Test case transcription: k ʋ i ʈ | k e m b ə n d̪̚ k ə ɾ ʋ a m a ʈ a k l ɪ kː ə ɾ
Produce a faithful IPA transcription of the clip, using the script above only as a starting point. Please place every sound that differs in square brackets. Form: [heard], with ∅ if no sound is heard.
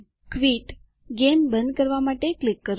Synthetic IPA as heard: k ʋ i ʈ | [ɡ] e m b ə n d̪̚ k ə ɾ ʋ a m a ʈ [e] k l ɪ kː ə ɾ